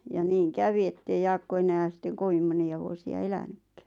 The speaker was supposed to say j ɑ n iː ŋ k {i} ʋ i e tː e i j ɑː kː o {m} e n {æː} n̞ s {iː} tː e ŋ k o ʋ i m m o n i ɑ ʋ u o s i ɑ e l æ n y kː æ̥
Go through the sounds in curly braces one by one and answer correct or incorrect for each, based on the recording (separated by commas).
incorrect, incorrect, correct, incorrect